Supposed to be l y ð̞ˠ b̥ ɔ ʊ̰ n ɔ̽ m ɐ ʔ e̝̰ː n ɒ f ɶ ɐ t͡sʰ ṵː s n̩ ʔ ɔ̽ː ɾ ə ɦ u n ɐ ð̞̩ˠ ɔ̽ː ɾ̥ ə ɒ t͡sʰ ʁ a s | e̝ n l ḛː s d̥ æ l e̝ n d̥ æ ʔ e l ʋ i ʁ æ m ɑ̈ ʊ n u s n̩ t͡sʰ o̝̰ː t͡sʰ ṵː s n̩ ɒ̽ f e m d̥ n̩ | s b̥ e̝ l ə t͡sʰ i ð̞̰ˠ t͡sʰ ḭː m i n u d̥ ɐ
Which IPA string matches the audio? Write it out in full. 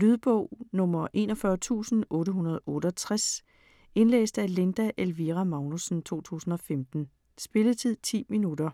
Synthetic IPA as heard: l y ð̞ˠ b̥ ɔ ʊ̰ n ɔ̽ m ɐ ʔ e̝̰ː n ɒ f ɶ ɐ t͡sʰ ṵː s n̩ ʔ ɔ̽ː ɾ ə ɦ u n ɐ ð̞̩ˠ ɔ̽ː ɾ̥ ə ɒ t͡sʰ ʁ a s | e̝ n l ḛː s d̥ æ l e̝ n d̥ æ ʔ e l ʋ i ʁ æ m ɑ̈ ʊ n u s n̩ t͡sʰ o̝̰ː t͡sʰ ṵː s n̩ ɒ̽ f e m d̥ n̩ | s b̥ e̝ l ə t͡sʰ i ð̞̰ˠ t͡sʰ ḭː m i n u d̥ ɐ